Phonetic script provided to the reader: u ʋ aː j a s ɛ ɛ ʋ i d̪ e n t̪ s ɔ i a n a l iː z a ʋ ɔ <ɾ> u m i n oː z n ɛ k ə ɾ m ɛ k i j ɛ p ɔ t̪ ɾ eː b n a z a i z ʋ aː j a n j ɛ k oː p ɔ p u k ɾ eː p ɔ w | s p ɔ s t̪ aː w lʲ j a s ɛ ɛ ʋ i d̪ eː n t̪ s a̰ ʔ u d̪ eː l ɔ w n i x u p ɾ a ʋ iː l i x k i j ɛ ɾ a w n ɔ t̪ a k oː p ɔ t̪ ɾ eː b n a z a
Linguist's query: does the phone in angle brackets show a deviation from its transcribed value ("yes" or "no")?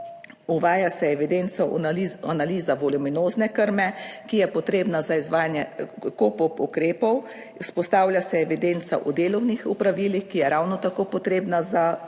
yes